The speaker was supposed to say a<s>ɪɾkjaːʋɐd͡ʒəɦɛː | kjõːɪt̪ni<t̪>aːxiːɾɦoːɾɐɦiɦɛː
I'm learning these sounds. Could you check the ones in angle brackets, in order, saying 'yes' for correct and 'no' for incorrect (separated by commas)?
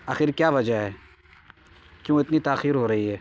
no, yes